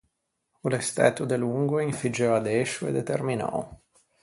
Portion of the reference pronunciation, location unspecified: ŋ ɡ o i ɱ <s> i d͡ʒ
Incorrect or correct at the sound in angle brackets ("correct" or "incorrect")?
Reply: incorrect